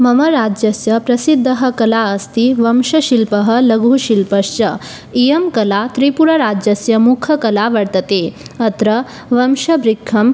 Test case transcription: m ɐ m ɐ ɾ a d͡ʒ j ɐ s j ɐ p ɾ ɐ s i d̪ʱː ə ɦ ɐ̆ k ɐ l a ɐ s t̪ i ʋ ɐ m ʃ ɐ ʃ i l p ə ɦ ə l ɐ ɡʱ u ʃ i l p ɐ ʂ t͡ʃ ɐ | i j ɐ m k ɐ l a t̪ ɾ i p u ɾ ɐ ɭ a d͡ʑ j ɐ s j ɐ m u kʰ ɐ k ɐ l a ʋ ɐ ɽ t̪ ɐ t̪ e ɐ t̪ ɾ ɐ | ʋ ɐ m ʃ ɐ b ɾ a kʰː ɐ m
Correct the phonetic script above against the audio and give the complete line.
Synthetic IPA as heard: m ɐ m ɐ ɾ a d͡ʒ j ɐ s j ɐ p ɾ ɐ s i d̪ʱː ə ɦ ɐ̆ k ɐ l a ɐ s t̪ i ʋ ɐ m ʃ ɐ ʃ i l p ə ɦ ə l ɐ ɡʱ u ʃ i l p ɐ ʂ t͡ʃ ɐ | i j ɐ m k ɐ l a t̪ ɾ i p u ɾ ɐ ɾ a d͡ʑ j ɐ s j ɐ m u kʰ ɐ k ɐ l a ʋ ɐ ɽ t̪ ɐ t̪ e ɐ t̪ ɾ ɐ | ʋ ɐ m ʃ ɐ b ɾ i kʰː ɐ m